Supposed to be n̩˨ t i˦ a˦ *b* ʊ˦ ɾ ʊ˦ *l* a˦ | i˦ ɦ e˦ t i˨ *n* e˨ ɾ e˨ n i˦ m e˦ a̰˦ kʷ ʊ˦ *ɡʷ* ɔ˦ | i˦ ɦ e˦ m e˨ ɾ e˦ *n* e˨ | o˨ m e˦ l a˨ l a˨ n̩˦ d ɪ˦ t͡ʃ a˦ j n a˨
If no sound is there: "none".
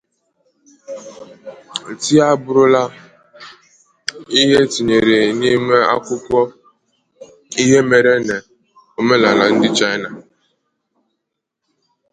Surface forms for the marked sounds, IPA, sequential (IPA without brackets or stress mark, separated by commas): b, l, ɲ, kʷ, n